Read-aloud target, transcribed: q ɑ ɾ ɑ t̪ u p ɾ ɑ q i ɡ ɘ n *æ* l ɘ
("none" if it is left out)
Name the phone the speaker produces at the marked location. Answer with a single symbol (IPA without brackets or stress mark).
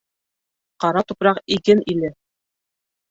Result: i